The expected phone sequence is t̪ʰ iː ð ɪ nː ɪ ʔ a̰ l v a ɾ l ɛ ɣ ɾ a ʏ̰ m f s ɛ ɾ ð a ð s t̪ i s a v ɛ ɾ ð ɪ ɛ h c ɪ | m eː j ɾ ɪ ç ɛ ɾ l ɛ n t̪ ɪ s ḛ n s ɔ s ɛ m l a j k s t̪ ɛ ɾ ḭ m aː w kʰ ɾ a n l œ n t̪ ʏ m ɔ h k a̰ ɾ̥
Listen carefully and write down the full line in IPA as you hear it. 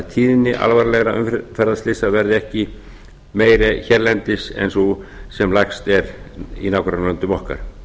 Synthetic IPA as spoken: t̪ʰ iː ð ɪ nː ɪ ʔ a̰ l v a ɾ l ɛ ɣ ɾ a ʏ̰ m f f ɛ ɾ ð a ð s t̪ ɪ s a v ɛ ɾ ð ɪ ɛ h c ɪ | m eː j ɾ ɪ ç ɛ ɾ l ɛ n t̪ ɪ s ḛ n s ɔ s ɛ m l a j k s t̪ ɛ ɾ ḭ n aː w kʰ ɾ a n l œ n t̪ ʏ m ɔ h k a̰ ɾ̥

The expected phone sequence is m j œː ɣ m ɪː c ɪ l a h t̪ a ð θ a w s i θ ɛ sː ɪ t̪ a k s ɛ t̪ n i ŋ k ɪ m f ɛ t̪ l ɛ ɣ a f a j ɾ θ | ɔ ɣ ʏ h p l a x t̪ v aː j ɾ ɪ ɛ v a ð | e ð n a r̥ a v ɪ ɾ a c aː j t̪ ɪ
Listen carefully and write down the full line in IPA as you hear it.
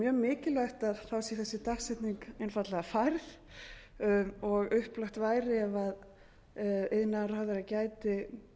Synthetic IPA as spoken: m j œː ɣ m ɪː c ɪ l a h t̪ a ð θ a w s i θ ɛ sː ɪ t̪ a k s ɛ t̪ n i ŋ k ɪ n f a t̪ l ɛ ɣ a f a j ɾ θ | ɔ ɣ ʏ h p l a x t̪ v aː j ɾ ɪ ɛ v a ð | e ð n a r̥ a ð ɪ ɾ a c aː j t̪ ɪ

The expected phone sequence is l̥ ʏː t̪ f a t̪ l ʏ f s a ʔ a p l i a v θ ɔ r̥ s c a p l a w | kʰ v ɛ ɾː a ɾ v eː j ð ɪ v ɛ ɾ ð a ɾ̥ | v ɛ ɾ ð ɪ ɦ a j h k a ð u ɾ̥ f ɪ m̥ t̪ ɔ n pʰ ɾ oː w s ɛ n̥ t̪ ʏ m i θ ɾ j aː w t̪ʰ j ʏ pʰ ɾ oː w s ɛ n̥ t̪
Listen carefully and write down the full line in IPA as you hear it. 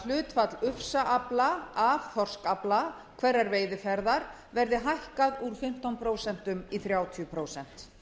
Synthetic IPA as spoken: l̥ ʏː t̪ f a t̪ l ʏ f s a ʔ a p l a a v θ ɔ r̥ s k a p l a | kʰ v ɛ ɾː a ɾ v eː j ð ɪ f ɛ ɾ ð a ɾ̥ | v ɛ ɾ ð ɪ ɦ a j h k a ð u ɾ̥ f ɪ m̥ t̪ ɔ n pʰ ɾ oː w s ɛ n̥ t̪ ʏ m i θ ɾ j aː w t̪ʰ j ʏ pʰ ɾ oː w s ɛ n̥ t̪

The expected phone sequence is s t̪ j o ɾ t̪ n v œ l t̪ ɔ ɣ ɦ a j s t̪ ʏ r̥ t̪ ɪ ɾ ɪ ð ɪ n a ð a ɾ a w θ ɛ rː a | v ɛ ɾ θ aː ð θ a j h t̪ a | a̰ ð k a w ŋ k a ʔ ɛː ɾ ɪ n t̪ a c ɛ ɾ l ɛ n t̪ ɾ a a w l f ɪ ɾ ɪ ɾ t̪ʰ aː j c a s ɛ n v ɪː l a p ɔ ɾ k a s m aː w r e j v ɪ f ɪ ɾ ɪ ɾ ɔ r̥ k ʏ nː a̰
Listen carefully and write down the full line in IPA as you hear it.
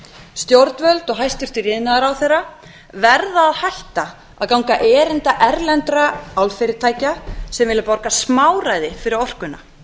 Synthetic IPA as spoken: s t̪ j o ɾ t̪ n v œ l t̪ ɔ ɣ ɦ a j s t̪ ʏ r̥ t̪ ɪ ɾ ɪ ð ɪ n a ð a ɾ a w θ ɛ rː a | v ɛ ɾ ð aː ð h a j h t̪ a | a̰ ð k a w ŋ k a ʔ ɛː ɾ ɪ n t̪ a ʔ ɛ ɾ l ɛ n t̪ ɾ a a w l f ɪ ɾ ɪ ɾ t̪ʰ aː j c a s ɛ m v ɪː l a p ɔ ɾ k a s m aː w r a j ð ɪ f ɪ ɾ ɪ ɾ ɔ r̥ k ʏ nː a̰

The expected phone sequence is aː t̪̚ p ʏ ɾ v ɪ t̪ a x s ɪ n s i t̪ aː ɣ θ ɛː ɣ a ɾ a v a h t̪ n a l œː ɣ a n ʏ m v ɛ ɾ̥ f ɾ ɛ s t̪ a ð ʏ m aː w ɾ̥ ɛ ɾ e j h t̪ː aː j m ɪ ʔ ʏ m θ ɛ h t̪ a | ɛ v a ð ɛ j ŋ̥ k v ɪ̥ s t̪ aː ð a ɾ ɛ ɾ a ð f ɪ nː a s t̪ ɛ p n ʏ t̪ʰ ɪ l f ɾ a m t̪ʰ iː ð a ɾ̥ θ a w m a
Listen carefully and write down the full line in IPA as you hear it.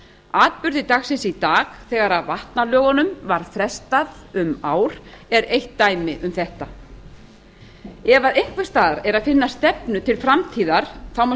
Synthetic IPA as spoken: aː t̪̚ p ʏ ɾ ð ɪ t̪ a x s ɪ n s i t̪ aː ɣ θ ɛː ɣ a ɾ a v a h t̪ n a l œː ɣ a n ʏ m v a ɾ̥ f ɾ ɛ s t̪ a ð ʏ m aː w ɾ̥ ɛ ɾ e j h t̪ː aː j m ɪ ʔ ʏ m θ ɛ h t̪ a | ɛ v a ð e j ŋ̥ k v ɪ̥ s t̪ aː ð a ɾ ɛ ɾ a ð f ɪ nː a s t̪ ɛ p n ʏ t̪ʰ ɪ l f ɾ a m t̪ʰ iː ð a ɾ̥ θ a w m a

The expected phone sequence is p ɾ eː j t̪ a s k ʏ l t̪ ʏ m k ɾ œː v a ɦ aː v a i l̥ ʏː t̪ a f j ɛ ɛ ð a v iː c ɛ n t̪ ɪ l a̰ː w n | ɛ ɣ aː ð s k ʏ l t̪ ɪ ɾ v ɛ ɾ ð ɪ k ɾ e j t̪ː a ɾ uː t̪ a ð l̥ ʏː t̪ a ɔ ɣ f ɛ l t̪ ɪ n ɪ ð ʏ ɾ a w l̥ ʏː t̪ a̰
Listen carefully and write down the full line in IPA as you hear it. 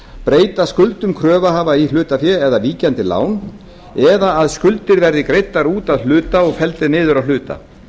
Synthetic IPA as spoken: p ɾ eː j t̪ a s k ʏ l t̪ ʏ m kʰ ɾ œː v a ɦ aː v a i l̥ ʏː t̪ a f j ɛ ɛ ð a v iː c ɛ n t̪ ɪ l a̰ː w n | ɛ ð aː ð s k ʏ l t̪ ɪ ɾ v ɛ ɾ ð ɪ k ɾ e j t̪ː a ɾ uː t̪ a ð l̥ ʏː t̪ a ɔ ɣ f ɛ l t̪ ɪ n ɪː ð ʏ ɾ a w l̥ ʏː t̪ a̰

